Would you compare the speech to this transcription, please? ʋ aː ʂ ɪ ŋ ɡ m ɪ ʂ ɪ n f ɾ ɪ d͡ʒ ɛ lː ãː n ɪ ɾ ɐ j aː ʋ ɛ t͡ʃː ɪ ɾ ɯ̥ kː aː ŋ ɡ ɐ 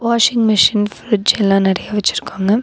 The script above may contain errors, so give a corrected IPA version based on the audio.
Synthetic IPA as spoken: ʋ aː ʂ ɪ ŋ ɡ m ɪ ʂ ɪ n f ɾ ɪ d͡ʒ ɛ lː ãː n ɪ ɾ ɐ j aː ʋ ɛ t͡ʃː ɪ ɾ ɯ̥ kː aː ŋ ɡ ɐ